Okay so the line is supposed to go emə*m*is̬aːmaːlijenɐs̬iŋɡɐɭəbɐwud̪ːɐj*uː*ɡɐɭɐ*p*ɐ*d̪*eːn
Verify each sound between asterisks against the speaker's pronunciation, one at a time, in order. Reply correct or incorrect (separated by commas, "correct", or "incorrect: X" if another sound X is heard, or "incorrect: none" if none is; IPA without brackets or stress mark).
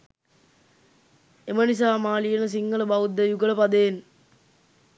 incorrect: n, incorrect: u, correct, correct